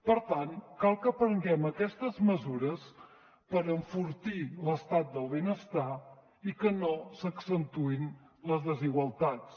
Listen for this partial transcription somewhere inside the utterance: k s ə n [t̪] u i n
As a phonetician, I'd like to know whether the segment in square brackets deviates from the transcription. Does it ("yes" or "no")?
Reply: no